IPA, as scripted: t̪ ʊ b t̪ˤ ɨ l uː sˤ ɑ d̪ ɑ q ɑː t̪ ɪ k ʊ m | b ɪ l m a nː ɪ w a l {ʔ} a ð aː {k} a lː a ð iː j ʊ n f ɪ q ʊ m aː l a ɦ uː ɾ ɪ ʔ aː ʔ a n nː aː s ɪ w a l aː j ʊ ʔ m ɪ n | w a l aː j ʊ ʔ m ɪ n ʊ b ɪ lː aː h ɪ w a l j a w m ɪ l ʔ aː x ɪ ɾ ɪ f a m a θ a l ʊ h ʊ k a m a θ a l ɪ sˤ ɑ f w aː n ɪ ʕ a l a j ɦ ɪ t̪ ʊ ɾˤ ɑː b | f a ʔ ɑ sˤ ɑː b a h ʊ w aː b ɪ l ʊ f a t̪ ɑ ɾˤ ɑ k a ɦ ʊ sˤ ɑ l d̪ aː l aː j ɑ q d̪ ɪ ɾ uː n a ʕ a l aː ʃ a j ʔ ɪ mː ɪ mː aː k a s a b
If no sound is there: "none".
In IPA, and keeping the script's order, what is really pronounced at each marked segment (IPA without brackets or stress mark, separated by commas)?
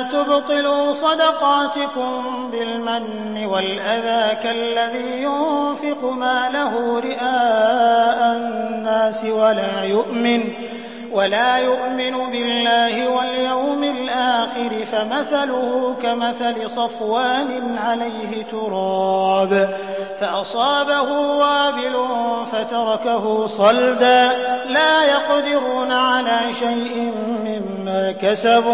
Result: ʔ, k